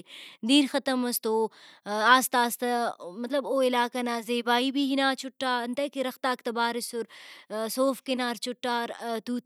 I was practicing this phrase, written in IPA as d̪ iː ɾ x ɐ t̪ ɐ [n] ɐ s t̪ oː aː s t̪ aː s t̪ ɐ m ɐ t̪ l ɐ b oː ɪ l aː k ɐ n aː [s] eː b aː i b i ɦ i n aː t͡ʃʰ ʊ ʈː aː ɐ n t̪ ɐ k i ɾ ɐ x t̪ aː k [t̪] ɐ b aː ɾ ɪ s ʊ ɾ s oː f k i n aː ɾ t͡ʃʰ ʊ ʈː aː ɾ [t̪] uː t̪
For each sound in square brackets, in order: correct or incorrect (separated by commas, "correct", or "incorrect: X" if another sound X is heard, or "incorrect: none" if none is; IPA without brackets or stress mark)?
incorrect: m, incorrect: z, correct, correct